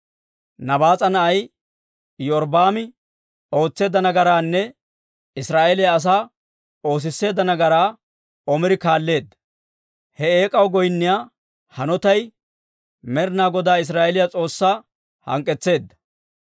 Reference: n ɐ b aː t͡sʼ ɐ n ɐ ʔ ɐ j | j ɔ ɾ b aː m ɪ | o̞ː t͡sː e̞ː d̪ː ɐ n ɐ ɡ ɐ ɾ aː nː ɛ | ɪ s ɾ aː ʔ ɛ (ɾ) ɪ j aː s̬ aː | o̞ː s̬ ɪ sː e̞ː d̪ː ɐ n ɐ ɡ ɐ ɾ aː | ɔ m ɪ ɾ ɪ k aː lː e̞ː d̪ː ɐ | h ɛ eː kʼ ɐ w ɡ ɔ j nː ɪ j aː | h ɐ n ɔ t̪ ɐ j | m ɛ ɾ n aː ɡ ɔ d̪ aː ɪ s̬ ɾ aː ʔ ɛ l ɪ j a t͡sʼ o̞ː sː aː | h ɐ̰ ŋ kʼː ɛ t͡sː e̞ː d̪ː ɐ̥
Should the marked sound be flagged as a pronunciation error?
yes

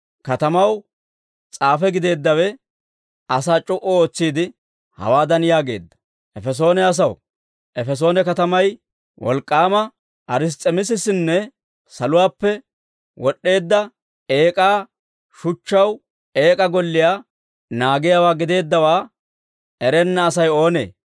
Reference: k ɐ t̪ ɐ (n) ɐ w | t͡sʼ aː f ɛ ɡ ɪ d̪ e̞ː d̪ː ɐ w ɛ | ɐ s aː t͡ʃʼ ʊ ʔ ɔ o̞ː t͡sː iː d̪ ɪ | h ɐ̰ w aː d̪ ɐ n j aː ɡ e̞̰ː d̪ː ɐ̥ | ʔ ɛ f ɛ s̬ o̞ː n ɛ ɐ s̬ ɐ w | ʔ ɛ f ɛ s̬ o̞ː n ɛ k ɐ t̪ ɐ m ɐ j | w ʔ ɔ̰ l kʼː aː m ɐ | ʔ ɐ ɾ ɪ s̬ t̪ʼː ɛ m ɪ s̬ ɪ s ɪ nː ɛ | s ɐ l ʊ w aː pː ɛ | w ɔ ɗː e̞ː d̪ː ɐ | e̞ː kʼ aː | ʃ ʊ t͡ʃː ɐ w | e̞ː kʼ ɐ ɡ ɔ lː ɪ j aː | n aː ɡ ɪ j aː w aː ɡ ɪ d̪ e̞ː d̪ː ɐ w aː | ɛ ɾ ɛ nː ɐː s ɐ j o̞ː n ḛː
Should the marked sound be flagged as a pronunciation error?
yes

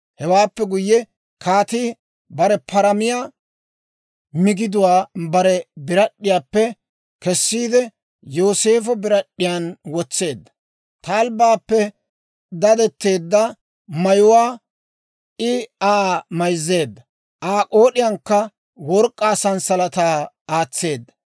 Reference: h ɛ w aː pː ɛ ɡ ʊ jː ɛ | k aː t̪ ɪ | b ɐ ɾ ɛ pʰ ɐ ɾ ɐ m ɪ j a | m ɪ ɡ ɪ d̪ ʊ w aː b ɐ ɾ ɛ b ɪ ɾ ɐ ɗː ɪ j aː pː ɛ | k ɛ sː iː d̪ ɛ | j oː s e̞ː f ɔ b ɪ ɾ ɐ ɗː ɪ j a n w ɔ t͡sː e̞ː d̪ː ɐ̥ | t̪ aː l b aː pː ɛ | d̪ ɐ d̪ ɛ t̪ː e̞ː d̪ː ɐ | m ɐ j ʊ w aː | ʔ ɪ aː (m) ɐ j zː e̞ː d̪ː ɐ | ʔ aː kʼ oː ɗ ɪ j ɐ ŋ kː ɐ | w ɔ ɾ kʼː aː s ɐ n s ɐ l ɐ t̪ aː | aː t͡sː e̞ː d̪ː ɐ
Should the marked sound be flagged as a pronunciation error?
no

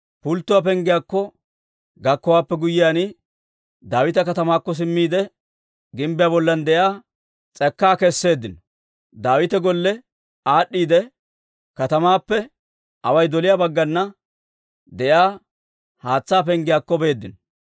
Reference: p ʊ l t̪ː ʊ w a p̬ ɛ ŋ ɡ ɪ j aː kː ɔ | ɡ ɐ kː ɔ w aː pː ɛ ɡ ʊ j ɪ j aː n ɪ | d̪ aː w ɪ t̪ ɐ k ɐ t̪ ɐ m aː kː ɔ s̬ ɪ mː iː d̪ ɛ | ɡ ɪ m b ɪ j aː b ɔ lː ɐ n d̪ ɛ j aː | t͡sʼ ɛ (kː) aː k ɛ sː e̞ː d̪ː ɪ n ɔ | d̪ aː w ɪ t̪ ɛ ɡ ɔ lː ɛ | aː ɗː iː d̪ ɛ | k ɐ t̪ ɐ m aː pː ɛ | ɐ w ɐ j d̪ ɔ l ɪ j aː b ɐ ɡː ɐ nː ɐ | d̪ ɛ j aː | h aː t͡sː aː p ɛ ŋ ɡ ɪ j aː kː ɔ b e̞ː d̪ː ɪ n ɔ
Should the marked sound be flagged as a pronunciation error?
no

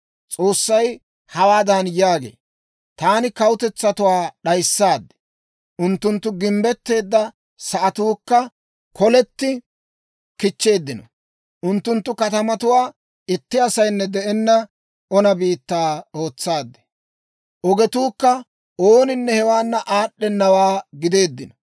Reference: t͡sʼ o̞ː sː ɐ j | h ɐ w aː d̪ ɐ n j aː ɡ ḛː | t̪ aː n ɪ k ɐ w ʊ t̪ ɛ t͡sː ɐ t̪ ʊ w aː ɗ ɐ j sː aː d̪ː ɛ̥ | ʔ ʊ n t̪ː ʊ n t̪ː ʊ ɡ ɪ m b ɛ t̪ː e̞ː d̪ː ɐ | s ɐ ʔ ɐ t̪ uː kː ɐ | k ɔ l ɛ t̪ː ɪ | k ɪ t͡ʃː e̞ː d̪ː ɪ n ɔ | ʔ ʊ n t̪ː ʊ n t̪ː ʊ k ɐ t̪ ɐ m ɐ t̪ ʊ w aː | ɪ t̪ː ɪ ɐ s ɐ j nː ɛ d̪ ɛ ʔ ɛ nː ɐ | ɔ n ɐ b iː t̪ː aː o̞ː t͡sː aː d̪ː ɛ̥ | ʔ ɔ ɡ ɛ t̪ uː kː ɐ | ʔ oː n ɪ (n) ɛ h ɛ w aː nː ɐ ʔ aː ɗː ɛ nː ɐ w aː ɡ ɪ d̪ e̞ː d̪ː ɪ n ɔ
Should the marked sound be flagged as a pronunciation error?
yes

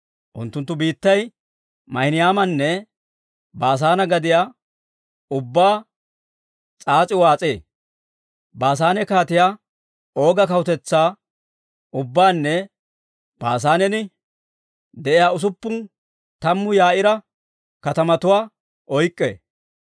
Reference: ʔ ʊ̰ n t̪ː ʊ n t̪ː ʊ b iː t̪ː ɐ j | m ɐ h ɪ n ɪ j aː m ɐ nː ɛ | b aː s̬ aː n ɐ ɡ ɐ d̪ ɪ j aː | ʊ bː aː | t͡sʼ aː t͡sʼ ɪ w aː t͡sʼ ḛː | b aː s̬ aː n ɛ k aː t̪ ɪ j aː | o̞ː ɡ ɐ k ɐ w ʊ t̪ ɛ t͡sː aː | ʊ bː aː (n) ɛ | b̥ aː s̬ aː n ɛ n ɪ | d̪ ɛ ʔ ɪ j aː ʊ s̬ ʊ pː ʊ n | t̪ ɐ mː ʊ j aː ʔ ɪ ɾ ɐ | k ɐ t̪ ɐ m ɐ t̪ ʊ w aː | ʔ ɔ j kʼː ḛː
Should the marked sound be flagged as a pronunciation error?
yes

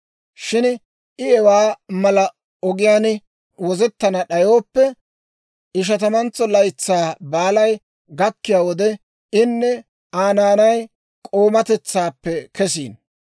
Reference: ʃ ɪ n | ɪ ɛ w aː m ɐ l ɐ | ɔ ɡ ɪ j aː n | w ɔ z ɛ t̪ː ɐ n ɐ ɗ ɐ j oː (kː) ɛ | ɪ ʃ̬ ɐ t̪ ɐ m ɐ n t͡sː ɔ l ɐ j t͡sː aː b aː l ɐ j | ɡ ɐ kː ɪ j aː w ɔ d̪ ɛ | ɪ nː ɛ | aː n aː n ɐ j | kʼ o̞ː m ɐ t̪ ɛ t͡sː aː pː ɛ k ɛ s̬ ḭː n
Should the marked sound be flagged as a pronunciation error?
yes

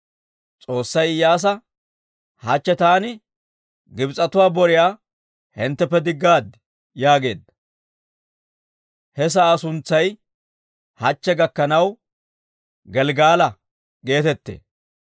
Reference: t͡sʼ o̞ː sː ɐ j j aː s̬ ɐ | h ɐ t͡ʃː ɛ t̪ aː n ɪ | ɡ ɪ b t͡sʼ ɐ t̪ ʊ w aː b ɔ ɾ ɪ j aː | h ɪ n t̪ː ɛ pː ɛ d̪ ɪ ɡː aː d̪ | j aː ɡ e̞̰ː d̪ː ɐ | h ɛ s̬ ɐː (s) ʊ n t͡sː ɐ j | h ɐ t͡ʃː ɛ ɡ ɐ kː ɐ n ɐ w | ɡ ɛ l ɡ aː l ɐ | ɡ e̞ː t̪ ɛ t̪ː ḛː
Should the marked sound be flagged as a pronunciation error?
no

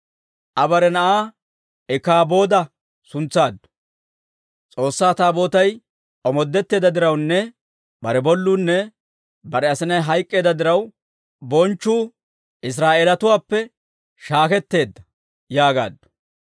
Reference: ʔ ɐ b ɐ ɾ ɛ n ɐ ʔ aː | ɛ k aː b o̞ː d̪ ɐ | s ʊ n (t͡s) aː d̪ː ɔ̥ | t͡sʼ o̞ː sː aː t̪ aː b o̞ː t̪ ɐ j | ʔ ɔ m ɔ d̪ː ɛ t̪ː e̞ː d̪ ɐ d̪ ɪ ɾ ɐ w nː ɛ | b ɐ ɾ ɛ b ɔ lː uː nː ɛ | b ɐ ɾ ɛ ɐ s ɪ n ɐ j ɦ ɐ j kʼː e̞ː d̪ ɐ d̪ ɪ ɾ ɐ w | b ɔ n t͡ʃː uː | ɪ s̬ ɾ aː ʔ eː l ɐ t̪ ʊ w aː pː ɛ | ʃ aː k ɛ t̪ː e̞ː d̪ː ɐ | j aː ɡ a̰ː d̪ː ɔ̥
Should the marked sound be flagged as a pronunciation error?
no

